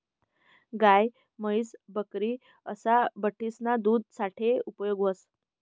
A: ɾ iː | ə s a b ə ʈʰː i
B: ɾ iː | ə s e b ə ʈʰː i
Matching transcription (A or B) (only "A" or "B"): A